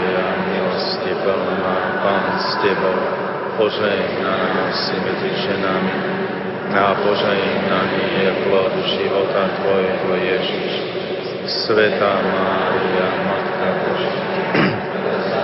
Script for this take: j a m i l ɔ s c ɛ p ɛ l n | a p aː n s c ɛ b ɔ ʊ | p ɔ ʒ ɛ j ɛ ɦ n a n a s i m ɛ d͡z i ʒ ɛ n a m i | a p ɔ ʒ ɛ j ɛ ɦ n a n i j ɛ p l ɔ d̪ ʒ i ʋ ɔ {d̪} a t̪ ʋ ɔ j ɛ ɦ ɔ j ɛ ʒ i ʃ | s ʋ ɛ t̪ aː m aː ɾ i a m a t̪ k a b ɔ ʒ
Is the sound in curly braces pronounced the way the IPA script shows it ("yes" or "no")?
no